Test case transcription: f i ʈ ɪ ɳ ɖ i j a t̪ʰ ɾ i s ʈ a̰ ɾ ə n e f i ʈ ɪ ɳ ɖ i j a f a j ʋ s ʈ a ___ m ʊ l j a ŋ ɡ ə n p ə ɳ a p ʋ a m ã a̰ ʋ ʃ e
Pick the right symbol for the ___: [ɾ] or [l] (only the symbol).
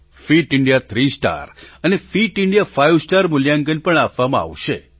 ɾ